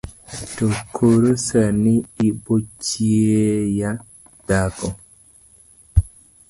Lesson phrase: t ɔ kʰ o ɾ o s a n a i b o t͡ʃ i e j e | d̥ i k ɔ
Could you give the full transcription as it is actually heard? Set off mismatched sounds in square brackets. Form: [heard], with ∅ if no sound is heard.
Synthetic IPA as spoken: t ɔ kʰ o ɾ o s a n [i] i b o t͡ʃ i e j [a] | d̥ [a] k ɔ